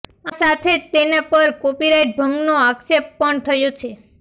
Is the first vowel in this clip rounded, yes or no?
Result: no